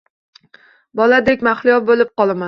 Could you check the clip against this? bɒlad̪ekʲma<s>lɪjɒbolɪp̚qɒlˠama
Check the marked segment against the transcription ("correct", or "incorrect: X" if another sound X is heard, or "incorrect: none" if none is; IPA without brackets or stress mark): incorrect: χ